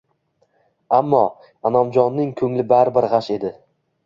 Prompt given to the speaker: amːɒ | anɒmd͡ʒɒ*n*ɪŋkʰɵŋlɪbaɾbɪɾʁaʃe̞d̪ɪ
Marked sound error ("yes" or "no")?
yes